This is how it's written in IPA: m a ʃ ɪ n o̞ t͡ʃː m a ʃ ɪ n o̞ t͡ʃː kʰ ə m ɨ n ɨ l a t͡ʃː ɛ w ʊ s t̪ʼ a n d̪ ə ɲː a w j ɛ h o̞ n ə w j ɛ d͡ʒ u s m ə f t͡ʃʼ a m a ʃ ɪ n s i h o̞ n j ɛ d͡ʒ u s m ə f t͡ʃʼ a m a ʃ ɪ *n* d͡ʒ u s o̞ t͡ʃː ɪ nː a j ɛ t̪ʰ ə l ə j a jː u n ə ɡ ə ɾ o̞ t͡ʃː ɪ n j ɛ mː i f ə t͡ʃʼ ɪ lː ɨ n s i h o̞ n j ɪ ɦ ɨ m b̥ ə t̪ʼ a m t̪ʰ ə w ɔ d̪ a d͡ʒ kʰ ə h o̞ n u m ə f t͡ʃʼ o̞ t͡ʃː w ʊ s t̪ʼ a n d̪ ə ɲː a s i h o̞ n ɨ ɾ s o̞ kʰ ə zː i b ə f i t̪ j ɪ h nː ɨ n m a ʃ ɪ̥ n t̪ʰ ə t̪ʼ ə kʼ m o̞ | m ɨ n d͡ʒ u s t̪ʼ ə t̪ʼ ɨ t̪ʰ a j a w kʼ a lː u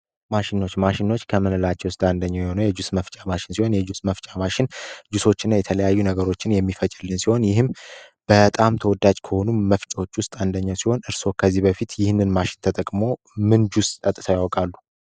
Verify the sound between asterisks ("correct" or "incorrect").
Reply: correct